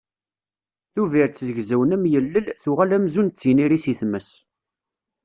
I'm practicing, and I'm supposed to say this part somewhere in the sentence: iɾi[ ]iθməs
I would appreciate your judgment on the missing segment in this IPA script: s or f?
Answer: s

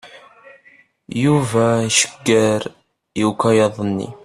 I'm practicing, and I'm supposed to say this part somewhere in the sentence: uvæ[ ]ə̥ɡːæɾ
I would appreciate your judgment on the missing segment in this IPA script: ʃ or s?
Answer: ʃ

